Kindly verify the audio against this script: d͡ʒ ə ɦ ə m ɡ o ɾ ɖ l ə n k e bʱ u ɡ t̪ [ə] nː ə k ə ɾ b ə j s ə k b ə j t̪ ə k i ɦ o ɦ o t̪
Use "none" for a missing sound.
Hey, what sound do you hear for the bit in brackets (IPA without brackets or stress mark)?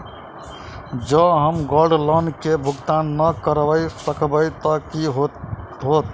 a